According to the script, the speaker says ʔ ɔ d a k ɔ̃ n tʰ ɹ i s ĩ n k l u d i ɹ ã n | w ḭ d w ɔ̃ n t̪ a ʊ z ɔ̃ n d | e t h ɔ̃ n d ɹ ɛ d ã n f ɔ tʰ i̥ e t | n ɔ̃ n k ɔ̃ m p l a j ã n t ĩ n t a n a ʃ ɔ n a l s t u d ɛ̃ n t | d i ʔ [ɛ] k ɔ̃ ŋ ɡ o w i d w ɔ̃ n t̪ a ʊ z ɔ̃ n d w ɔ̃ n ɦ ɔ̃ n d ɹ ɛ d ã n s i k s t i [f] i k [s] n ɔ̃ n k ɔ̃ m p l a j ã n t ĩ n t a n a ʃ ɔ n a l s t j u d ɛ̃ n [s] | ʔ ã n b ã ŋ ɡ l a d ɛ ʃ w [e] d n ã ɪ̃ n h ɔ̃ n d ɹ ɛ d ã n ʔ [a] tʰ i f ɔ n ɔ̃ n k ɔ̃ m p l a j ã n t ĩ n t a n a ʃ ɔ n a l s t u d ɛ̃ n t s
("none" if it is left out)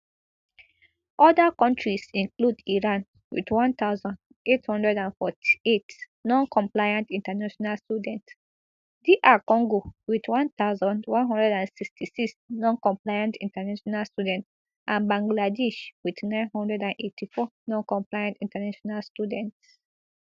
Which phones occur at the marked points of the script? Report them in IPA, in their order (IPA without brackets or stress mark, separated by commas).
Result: a, s, s, t, i, e